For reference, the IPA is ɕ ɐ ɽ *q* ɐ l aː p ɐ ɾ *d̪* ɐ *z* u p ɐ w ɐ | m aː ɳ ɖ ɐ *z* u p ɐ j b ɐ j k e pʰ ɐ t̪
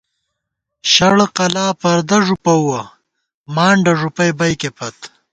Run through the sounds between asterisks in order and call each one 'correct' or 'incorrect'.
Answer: correct, correct, incorrect, incorrect

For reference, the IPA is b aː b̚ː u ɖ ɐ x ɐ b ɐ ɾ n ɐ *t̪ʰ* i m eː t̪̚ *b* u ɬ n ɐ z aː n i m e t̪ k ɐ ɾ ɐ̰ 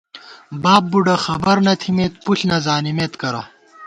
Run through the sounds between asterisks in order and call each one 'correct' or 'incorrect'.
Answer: correct, incorrect

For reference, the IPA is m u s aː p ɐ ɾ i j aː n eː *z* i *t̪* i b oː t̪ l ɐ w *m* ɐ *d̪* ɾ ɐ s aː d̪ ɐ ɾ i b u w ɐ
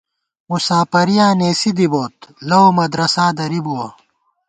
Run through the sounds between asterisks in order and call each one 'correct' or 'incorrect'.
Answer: incorrect, incorrect, correct, correct

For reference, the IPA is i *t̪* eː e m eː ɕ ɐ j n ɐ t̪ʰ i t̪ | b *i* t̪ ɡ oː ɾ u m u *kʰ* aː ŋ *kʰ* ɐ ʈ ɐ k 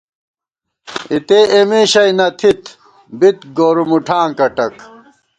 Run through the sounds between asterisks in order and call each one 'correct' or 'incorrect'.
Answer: correct, correct, incorrect, incorrect

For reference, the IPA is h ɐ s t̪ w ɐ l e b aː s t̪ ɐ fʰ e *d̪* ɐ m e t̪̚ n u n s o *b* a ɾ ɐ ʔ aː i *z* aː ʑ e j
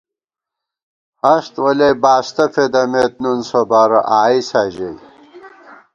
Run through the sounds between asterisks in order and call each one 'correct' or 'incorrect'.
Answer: correct, correct, incorrect

